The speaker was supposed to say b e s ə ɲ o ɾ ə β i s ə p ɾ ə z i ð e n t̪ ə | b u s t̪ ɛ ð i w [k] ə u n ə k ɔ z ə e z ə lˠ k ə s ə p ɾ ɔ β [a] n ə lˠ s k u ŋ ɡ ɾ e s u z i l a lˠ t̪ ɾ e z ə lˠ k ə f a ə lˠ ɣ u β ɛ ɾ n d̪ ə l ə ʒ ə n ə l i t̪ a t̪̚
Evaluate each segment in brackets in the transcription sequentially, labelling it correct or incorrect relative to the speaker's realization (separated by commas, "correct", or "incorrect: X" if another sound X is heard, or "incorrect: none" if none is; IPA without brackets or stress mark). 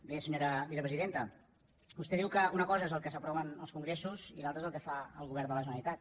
correct, incorrect: ə